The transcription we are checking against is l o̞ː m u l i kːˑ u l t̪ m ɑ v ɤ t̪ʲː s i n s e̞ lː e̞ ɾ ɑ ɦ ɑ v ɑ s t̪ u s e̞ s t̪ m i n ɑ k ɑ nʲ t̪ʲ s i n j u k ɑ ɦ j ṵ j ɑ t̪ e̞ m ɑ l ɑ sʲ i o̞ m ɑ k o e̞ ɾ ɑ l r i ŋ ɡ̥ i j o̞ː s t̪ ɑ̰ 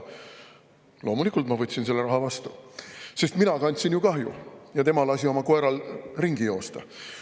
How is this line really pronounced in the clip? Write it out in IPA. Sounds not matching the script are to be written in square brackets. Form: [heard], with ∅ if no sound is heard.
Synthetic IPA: l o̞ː m u l i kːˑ u l t̪ m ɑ v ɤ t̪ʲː s i n s e̞ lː e̞ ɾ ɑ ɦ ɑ v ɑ s t̪ u s e̞ s t̪ m i n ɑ k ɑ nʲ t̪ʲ s i n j u k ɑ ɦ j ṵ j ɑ t̪ e̞ m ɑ l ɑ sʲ i o̞ m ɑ k o e̞ ɾ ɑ l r i ŋ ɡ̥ i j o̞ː s t̪ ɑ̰